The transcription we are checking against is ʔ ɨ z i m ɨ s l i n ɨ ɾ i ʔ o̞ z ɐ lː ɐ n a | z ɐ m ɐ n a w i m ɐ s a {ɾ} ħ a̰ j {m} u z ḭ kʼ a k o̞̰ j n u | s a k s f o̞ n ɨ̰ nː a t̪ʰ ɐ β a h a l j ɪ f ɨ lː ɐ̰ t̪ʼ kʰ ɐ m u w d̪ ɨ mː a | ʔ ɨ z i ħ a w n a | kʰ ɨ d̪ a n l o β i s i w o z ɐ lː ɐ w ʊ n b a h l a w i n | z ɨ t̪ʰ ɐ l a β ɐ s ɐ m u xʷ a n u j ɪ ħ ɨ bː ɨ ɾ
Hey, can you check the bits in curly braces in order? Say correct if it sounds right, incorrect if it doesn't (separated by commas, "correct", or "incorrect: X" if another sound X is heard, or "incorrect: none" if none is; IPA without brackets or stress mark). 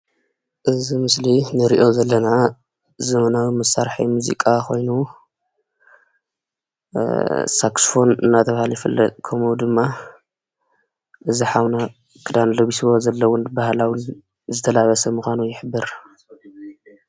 correct, correct